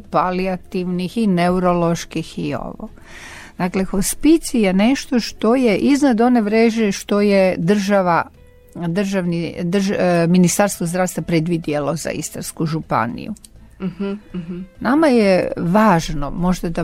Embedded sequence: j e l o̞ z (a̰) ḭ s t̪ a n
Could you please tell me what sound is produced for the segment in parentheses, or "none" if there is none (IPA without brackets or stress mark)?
a̰